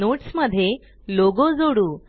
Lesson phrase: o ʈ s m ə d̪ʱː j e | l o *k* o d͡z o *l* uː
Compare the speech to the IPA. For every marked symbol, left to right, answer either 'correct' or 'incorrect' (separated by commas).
incorrect, incorrect